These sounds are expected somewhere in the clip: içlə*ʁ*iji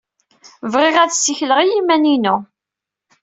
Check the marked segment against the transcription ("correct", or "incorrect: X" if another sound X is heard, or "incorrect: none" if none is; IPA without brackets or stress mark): correct